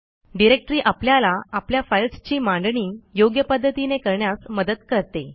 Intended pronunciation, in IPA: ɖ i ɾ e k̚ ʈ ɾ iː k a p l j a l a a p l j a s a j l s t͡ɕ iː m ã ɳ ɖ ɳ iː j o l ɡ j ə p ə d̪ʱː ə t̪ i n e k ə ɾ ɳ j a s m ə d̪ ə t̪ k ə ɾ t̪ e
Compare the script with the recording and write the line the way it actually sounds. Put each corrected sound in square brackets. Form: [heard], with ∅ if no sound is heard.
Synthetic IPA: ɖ i ɾ e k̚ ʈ ɾ iː [ʔ] a p l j a l a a p l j a [f] a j l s t͡ɕ iː m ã ɳ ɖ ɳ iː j o [∅] ɡ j ə p ə d̪ʱː ə t̪ i n e k ə ɾ ɳ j a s m ə d̪ ə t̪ k ə ɾ t̪ e